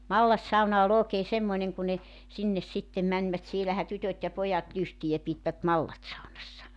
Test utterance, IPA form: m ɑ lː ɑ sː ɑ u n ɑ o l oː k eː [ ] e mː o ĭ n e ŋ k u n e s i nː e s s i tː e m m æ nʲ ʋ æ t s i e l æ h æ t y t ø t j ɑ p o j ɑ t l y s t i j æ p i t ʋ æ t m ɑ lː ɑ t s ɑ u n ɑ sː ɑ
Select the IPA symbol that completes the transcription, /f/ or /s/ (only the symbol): s